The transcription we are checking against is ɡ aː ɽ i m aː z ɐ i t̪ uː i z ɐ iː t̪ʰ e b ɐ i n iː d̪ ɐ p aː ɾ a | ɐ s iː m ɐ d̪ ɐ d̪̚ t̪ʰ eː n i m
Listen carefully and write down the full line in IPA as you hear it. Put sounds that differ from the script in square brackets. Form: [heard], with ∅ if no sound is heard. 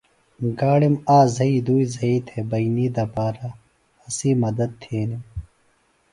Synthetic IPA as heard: ɡ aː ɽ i m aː z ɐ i [d̪] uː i z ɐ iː t̪ʰ e b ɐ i n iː d̪ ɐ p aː ɾ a | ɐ s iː m ɐ d̪ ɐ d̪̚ t̪ʰ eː n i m